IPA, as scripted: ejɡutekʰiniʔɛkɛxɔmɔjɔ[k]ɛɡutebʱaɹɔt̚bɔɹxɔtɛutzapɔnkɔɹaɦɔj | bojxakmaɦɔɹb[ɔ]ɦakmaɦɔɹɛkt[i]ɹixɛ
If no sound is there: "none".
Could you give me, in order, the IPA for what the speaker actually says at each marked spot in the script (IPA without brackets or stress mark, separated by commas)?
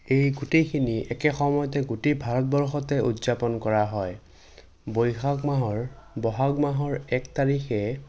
t, ɔ, a